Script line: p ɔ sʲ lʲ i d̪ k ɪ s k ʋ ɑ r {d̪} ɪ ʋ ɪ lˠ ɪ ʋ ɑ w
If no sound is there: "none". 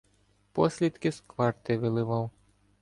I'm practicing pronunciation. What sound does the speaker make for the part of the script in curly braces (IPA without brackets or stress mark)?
t̪